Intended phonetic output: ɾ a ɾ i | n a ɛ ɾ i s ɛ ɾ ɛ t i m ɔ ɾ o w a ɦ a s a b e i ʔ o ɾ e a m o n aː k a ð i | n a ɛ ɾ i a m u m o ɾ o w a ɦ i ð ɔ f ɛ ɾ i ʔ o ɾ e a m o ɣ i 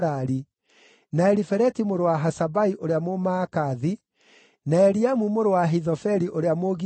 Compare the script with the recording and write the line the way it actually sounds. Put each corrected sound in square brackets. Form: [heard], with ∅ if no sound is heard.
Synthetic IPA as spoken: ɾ a ɾ i | n a ɛ ɾ i [f] ɛ ɾ ɛ t i m [o] ɾ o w a ɦ a s a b [a] i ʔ o ɾ e a m o [m] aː k a ð i | n a ɛ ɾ i a m u m o ɾ o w a ɦ i ð ɔ f ɛ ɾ i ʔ o ɾ e a m o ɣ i